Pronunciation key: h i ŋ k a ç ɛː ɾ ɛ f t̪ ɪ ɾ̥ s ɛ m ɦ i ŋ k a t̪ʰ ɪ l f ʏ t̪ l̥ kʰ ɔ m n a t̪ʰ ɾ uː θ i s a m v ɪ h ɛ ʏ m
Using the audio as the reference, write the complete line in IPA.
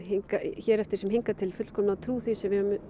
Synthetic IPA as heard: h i ŋ k a ç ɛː ɾ ɛ f t̪ ɪ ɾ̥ s ɛ m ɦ i ŋ k a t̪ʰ ɪ l f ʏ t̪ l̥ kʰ ɔ m n a t̪ʰ ɾ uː θ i s ɛ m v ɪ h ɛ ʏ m